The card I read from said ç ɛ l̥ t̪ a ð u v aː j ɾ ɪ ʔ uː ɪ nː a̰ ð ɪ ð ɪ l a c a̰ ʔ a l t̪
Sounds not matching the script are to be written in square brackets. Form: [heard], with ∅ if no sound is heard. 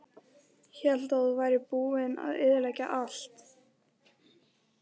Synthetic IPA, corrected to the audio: ç ɛ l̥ t̪ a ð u v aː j ɾ ɪ [p] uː ɪ [n] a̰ ð ɪ ð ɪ l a c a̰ ʔ a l t̪